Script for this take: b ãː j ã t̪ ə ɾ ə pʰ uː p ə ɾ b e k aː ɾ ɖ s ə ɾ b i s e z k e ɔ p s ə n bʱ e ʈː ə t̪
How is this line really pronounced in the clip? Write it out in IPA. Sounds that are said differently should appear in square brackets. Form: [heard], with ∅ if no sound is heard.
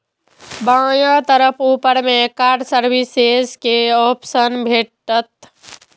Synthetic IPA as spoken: b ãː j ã t̪ ə ɾ ə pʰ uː p ə ɾ [m] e k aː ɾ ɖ s ə ɾ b i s e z k e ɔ p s ə n bʱ e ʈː ə t̪